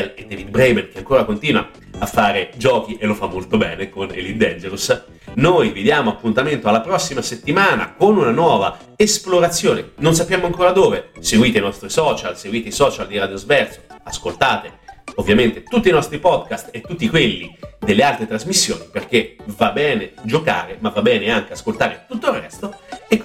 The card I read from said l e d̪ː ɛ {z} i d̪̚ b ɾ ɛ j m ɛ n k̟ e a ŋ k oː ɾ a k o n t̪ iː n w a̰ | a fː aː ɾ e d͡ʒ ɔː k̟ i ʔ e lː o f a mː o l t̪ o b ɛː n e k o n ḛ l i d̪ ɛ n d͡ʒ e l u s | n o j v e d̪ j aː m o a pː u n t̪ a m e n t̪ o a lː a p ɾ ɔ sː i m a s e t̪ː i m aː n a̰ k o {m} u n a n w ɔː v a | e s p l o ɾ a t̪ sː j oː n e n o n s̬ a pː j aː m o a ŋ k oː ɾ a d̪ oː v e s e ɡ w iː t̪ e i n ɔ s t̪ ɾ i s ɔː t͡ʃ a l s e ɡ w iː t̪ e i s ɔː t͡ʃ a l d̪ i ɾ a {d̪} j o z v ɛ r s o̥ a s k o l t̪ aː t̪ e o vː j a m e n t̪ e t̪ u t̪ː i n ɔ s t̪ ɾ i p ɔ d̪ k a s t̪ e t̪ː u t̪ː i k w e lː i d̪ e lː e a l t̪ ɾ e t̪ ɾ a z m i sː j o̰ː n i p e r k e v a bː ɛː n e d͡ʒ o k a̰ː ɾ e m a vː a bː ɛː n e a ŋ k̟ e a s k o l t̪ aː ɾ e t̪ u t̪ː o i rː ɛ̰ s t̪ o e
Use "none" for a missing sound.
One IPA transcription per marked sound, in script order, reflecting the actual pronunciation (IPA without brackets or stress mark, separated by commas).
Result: v, n, d̪